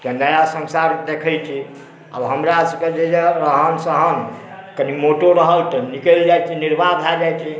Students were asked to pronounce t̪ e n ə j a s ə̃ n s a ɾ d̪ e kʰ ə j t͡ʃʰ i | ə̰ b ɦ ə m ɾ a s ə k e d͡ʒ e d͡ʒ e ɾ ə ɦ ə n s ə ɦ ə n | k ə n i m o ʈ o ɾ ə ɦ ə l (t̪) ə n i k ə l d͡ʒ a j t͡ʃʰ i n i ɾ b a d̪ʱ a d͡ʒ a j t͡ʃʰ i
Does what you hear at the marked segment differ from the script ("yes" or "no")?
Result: no